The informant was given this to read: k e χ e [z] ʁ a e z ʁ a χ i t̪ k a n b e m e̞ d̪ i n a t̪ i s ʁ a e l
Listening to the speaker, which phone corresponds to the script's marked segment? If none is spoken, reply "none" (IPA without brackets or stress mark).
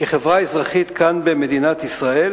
v